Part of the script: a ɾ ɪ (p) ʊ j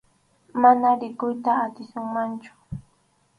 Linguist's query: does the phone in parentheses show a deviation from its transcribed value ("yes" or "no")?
yes